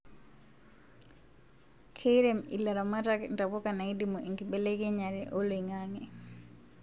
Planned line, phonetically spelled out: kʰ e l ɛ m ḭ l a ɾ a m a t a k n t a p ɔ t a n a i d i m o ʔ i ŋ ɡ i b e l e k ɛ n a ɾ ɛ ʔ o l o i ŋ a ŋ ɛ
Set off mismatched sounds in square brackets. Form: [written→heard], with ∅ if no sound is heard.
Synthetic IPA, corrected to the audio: kʰ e [l→ɾ] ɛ m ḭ l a ɾ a m a t a k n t a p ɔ [t→k] a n a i d i m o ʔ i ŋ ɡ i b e l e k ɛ [n→ɲ] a ɾ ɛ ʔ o l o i ŋ a ŋ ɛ